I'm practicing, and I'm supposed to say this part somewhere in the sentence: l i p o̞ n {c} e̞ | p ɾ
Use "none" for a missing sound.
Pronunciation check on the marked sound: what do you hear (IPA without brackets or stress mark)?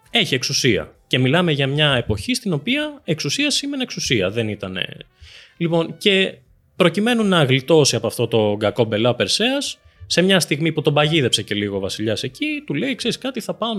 c